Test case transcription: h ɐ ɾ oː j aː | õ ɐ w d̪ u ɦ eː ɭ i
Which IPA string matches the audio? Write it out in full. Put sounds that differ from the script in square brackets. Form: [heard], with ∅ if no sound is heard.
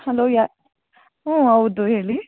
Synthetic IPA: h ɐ [l] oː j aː | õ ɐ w d̪ u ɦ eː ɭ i